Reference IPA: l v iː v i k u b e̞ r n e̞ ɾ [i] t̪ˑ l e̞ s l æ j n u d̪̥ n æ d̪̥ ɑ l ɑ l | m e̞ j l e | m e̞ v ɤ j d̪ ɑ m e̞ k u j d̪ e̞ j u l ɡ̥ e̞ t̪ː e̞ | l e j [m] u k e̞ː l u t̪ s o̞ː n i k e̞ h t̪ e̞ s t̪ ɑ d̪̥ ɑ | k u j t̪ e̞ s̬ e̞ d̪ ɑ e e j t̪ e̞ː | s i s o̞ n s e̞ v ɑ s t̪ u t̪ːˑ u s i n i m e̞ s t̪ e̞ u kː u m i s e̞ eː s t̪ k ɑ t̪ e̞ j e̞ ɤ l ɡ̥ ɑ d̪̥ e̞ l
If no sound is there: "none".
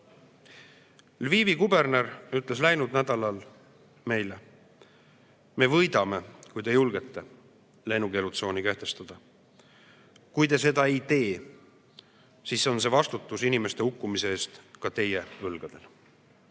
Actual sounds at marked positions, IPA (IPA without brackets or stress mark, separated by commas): y, n